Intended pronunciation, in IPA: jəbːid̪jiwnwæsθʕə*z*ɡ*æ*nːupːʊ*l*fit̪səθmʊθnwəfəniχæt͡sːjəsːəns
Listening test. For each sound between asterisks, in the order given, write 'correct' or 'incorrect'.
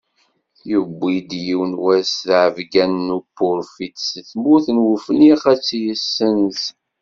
incorrect, correct, incorrect

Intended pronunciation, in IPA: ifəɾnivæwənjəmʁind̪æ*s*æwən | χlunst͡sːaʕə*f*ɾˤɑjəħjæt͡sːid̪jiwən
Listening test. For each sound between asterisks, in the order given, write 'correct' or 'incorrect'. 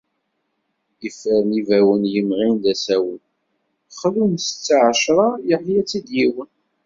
correct, incorrect

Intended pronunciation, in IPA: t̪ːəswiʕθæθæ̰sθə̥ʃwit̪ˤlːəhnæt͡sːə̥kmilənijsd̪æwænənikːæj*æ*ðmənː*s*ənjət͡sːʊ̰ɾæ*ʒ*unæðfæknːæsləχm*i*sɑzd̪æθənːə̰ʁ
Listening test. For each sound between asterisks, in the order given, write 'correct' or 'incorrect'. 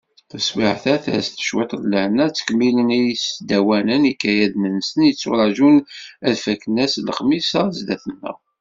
correct, correct, correct, correct

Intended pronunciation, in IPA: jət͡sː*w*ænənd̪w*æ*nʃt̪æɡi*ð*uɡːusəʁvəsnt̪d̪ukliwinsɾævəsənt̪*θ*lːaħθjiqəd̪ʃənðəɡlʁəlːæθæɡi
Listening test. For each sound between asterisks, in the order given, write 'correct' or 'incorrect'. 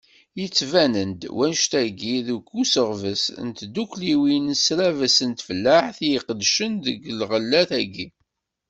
incorrect, correct, correct, incorrect

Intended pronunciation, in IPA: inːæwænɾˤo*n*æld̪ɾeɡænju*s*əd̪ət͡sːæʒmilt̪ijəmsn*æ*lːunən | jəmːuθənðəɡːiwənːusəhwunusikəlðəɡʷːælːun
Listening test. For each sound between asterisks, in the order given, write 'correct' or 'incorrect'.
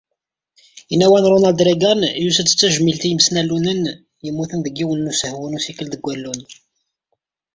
correct, correct, correct

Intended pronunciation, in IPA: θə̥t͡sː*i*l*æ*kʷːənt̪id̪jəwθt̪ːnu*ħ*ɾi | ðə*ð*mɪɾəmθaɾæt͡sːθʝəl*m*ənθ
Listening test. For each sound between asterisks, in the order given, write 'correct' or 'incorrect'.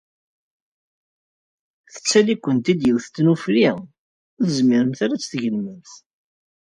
incorrect, incorrect, incorrect, incorrect, correct

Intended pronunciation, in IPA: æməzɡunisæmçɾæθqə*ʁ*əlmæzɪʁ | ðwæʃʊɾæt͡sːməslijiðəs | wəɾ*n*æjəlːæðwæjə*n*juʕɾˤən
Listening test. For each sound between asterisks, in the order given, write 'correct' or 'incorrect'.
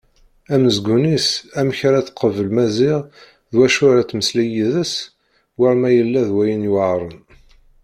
incorrect, incorrect, correct

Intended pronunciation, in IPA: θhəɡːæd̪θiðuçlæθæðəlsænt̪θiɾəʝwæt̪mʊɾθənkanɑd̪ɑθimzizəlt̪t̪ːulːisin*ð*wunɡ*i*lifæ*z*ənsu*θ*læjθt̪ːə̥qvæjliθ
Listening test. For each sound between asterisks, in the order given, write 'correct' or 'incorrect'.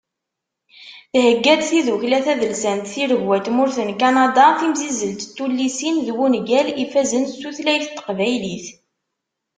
correct, incorrect, correct, correct

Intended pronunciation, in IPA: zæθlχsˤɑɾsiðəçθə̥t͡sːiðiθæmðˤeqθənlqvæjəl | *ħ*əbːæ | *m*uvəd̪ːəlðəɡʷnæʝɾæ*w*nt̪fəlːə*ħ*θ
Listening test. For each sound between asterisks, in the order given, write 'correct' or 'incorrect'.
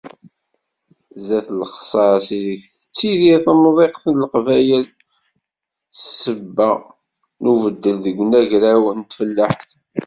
incorrect, incorrect, correct, correct

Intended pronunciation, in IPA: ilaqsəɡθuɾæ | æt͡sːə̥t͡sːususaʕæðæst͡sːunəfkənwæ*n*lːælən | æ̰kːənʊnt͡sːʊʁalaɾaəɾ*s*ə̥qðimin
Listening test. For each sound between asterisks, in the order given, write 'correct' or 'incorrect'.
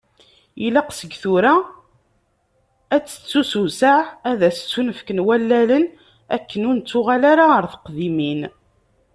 incorrect, incorrect

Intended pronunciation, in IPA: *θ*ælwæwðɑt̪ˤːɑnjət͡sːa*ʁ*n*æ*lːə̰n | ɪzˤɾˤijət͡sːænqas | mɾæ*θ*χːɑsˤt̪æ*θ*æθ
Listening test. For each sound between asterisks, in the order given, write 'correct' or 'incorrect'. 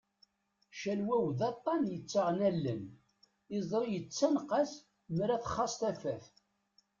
incorrect, correct, correct, correct, incorrect

